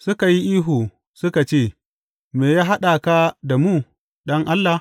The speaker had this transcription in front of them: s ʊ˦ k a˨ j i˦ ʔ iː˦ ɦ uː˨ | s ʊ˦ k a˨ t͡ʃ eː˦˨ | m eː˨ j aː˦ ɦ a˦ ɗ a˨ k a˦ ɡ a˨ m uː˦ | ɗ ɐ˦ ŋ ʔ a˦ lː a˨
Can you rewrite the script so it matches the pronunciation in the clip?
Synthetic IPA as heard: s ʊ˦ k a˨ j i˦ ʔ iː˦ ɦ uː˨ | s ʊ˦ k a˨ t͡ʃ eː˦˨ | m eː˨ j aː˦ ɦ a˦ ɗ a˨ k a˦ d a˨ m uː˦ | ɗ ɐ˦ ŋ ʔ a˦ lː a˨